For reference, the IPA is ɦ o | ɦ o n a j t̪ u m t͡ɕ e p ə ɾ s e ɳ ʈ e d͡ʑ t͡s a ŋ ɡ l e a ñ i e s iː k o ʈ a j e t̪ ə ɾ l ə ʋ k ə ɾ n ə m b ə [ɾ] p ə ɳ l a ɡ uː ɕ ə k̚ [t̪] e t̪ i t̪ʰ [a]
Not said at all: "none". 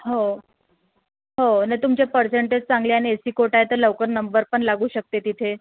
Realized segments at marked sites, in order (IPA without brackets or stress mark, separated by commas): ɾ, t̪, e